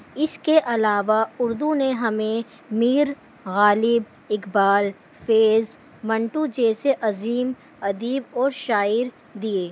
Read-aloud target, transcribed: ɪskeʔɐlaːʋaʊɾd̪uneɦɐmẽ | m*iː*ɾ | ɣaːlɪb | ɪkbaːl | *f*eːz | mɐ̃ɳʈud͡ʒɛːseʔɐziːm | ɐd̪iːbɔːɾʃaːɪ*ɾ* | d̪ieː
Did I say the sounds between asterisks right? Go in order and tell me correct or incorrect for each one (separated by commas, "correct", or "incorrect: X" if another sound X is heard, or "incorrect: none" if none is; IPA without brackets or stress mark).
correct, correct, correct